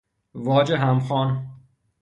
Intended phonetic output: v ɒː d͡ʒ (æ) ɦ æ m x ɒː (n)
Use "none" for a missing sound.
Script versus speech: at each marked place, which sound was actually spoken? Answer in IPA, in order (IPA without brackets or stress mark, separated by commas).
e, n